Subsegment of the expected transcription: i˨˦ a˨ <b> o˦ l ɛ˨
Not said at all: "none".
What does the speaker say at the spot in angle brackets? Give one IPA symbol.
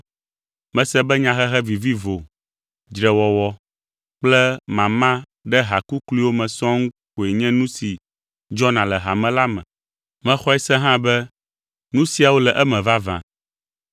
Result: w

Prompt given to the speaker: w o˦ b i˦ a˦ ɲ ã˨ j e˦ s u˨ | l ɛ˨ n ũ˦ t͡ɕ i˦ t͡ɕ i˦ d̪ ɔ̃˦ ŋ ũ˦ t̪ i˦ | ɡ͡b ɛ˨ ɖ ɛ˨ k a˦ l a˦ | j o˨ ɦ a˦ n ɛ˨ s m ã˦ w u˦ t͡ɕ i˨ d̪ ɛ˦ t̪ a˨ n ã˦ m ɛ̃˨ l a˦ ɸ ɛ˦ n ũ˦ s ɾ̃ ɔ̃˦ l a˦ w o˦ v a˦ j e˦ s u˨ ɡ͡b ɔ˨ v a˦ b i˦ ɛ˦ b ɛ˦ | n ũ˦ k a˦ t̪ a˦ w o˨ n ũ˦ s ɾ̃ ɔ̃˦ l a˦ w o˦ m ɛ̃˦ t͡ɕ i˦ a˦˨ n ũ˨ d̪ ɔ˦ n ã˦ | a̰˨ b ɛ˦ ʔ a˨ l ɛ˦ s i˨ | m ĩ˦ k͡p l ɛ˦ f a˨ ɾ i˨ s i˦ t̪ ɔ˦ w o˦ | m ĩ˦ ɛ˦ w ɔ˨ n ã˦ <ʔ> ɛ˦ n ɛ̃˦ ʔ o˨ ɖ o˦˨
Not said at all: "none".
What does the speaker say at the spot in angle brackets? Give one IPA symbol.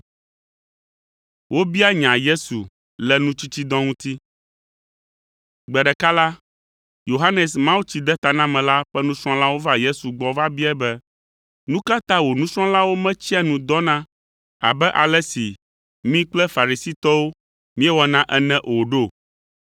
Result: ʔ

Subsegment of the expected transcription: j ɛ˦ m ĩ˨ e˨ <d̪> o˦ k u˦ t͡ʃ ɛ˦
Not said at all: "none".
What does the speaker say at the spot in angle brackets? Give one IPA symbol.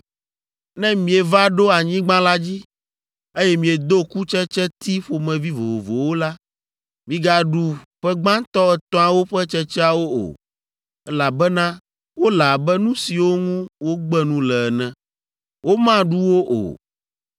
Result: d̪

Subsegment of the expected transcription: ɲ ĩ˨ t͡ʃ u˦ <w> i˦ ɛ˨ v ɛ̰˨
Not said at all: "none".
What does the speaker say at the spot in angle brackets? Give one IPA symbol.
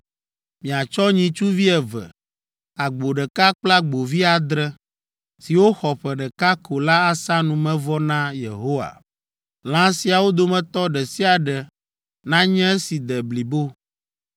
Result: v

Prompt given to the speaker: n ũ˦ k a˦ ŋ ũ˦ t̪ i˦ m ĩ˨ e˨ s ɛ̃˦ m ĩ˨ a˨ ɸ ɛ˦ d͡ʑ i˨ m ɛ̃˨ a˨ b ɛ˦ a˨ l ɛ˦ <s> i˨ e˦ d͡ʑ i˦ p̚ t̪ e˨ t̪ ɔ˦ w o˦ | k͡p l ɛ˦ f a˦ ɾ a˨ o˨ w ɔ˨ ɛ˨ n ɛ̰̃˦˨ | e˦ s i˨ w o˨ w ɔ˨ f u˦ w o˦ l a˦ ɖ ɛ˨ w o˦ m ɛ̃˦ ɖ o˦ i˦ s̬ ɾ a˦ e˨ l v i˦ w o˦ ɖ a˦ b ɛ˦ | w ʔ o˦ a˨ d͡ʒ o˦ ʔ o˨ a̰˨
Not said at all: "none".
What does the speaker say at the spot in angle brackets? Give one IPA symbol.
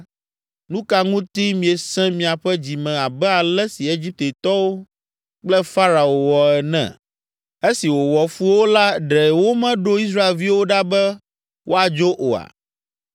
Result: s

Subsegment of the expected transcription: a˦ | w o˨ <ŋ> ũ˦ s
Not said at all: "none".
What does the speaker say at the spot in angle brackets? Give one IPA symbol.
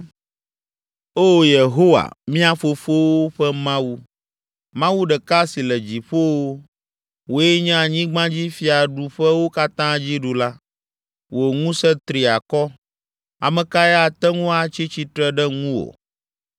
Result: ŋ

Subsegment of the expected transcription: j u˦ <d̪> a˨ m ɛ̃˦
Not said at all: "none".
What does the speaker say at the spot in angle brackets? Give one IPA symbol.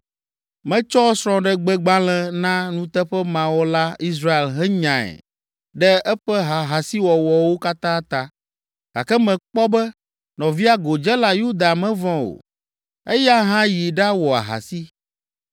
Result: d̪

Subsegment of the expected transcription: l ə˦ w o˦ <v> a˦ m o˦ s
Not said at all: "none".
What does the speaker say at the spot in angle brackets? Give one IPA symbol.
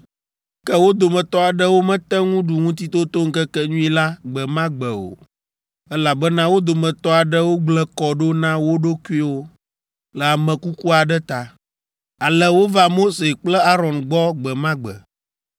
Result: v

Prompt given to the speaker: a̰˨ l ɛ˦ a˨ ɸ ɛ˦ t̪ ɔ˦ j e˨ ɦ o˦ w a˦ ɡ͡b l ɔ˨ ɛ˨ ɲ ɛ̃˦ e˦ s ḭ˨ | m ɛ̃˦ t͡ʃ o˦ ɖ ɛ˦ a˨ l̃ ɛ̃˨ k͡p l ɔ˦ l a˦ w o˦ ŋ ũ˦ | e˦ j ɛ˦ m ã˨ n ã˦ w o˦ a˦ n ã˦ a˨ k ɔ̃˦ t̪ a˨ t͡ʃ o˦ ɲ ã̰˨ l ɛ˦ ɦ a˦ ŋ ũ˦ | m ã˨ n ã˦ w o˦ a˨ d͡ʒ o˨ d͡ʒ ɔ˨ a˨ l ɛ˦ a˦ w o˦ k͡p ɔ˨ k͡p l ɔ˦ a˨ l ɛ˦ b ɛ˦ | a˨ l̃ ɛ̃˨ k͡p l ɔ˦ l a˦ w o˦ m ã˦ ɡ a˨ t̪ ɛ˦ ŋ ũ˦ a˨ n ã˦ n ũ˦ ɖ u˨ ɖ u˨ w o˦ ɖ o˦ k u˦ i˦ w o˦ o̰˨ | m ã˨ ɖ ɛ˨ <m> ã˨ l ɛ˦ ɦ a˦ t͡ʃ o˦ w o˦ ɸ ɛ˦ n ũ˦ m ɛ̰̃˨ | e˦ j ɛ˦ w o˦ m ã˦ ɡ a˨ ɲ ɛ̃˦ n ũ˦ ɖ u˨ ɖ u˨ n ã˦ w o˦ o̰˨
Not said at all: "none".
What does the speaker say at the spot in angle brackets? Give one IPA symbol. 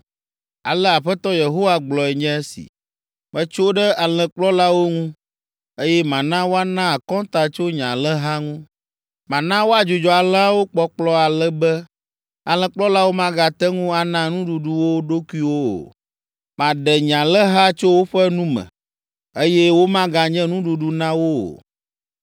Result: ɲ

